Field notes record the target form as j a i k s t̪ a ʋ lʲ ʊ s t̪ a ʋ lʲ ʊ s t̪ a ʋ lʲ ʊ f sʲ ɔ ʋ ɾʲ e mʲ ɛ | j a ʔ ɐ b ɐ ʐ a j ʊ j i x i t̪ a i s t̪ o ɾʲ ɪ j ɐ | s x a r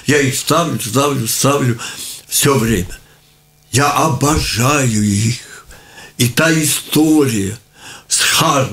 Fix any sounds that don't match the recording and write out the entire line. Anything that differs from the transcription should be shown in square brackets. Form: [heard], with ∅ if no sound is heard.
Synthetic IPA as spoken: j a i [x] s t̪ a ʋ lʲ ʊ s t̪ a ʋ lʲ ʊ s t̪ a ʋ lʲ ʊ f sʲ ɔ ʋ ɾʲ e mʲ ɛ | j a ʔ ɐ b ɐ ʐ a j ʊ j i x i t̪ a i s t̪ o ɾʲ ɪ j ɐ | s x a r